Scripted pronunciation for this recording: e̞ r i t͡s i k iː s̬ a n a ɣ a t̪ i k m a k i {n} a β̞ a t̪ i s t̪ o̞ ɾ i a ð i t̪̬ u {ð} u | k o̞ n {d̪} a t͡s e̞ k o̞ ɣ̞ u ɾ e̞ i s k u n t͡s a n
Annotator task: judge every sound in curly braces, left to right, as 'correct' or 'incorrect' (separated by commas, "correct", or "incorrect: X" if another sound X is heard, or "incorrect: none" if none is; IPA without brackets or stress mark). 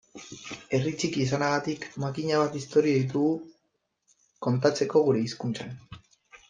incorrect: ɲ, incorrect: ɣ, incorrect: t̪